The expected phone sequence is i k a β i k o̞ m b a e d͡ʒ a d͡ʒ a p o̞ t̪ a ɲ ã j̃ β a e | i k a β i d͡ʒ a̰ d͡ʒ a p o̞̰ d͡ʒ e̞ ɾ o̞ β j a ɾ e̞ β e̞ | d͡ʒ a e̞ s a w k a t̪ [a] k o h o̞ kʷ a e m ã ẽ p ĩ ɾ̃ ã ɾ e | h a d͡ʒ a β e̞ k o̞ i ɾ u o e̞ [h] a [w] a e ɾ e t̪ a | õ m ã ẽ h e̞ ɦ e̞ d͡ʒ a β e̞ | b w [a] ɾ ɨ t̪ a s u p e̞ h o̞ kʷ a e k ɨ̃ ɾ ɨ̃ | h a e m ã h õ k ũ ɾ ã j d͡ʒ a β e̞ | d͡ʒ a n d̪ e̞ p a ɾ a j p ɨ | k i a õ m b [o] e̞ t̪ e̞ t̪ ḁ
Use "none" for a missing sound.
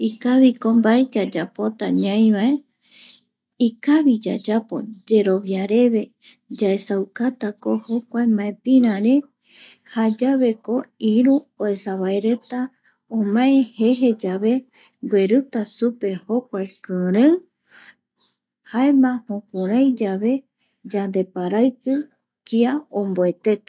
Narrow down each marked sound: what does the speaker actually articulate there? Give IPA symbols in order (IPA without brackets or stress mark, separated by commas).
a, s, β, e, o